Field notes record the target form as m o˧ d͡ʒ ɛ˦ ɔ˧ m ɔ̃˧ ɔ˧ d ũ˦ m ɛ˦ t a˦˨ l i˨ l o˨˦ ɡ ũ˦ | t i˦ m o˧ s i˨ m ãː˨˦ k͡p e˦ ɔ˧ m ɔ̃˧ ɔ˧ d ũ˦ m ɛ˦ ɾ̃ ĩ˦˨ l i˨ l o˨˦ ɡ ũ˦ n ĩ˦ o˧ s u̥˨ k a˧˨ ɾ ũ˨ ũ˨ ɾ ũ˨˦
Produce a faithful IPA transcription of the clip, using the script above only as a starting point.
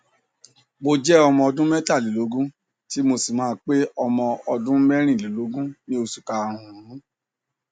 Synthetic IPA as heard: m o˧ d͡ʒ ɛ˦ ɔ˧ m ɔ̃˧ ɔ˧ d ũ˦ m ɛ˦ t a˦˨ l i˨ l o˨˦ ɡ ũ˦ | t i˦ m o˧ s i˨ m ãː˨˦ k͡p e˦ ɔ˧ m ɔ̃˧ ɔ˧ d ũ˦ m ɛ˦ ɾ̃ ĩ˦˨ l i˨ l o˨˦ ɡ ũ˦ n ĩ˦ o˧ s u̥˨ k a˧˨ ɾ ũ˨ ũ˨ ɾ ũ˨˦